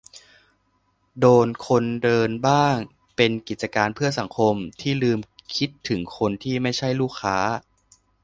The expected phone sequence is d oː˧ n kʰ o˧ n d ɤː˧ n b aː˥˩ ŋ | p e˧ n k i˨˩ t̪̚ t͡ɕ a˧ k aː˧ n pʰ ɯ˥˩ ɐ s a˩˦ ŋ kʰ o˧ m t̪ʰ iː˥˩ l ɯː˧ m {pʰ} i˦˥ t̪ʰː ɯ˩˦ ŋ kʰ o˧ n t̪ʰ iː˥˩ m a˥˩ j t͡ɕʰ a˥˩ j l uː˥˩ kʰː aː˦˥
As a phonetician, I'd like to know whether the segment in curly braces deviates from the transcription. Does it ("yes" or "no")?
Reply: yes